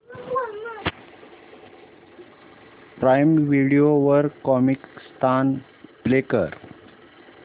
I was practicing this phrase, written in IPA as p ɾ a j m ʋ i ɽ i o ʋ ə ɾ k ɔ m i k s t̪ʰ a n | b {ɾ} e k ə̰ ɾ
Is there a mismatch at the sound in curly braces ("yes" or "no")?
yes